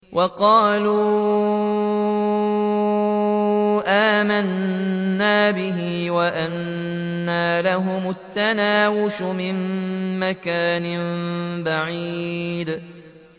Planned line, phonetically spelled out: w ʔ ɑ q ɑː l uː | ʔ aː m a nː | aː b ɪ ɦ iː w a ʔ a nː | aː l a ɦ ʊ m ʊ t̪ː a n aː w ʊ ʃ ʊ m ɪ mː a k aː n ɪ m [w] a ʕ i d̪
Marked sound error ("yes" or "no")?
yes